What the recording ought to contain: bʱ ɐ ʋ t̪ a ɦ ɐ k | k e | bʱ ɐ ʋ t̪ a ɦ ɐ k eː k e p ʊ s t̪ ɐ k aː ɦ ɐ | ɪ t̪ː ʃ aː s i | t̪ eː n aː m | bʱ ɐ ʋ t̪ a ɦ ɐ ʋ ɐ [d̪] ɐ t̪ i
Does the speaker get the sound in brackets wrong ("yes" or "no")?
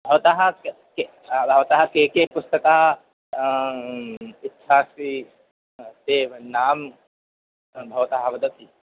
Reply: no